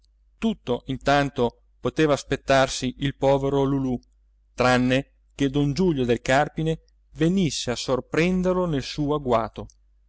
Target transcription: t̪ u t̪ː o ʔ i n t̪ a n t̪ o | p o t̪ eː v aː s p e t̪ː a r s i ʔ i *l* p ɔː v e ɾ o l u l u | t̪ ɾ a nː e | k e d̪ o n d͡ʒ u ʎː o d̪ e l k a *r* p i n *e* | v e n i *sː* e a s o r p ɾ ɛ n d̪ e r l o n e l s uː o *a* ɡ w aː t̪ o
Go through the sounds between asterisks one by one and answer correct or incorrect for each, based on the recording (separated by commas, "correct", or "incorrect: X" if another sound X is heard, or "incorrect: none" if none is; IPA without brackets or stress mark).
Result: correct, correct, correct, correct, correct